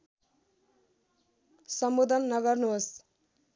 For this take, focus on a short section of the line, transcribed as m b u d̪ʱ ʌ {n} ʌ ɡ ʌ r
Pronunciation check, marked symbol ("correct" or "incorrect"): incorrect